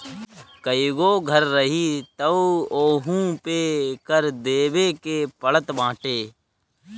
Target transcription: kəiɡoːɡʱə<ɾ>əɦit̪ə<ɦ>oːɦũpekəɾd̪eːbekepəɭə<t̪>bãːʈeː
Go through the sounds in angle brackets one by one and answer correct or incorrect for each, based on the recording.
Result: incorrect: ɾː, incorrect: none, correct

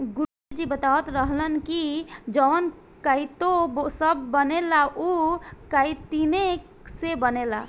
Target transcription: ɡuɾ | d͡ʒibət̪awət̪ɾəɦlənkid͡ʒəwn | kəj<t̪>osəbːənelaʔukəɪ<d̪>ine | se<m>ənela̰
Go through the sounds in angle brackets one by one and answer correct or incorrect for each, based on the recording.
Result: correct, incorrect: t̪, incorrect: b

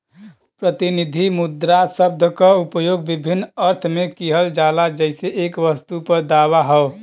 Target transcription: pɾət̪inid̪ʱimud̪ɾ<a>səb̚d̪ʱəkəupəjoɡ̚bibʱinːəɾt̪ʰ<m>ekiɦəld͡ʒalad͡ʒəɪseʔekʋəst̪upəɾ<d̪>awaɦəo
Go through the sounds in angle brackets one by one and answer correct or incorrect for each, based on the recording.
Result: correct, correct, correct

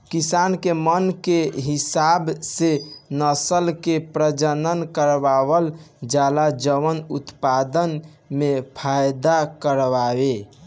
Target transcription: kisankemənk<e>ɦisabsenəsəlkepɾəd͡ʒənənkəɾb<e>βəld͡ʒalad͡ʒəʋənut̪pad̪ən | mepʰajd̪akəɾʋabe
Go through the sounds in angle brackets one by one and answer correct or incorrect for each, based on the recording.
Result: correct, incorrect: a

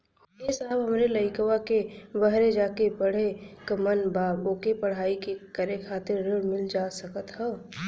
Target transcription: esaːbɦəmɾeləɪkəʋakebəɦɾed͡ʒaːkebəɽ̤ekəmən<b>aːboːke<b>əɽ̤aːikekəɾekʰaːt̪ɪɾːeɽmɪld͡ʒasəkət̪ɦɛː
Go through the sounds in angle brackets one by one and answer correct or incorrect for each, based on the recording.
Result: correct, incorrect: p

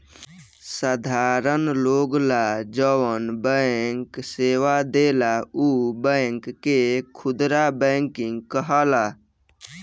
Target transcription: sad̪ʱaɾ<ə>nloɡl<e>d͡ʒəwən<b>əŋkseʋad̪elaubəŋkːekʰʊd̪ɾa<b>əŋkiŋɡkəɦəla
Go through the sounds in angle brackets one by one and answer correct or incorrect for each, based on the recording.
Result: correct, incorrect: a, correct, correct

